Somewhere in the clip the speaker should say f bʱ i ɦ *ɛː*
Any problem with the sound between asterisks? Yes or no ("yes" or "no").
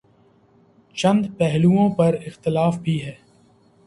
no